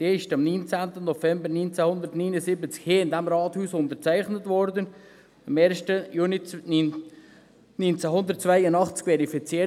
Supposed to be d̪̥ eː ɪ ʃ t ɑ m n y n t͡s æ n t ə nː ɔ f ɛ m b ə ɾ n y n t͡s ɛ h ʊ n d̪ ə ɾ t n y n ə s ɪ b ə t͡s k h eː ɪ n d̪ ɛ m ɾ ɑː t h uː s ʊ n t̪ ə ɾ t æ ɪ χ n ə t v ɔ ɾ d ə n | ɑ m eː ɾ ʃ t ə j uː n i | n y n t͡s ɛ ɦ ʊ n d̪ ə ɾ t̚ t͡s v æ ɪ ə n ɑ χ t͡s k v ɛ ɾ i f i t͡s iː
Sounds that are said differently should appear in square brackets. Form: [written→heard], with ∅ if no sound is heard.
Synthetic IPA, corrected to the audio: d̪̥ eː ɪ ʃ t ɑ m n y n t͡s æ n t ə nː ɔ f ɛ m b ə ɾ n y n t͡s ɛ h ʊ n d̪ ə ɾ t n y n ə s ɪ b ə t͡s k h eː ɪ n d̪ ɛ m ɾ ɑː t h uː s ʊ n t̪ ə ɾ [t→t͡s] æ ɪ χ n ə t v ɔ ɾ d ə n | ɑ m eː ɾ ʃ t ə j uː n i | n y n t͡s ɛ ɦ ʊ n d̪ ə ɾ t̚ t͡s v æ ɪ ə n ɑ χ t͡s k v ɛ ɾ i f i t͡s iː